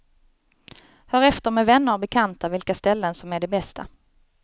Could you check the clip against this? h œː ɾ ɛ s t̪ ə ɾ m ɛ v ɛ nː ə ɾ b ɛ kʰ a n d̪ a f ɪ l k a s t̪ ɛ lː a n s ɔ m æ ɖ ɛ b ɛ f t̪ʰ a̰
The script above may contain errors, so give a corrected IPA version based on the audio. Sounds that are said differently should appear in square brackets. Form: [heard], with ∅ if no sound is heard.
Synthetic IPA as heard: h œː ɾ ɛ [f] t̪ ə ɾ m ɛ v ɛ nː ə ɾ b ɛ kʰ a n [t̪] a [v] ɪ l k a s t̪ ɛ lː [ə] n s ɔ m æ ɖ ɛ b ɛ [s] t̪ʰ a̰